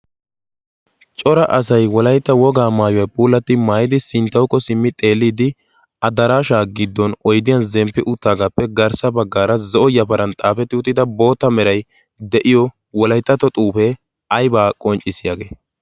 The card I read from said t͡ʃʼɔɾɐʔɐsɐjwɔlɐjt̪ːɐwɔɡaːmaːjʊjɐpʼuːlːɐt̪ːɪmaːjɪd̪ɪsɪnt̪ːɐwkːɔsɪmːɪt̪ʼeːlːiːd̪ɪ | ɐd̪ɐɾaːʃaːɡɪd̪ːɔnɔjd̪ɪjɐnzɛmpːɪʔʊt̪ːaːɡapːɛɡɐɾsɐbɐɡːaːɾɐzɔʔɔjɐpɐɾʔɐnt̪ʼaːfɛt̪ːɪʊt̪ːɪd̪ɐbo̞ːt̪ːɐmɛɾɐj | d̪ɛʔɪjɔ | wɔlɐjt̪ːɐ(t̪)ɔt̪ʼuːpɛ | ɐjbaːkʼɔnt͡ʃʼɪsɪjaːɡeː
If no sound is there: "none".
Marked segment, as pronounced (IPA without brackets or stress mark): t̪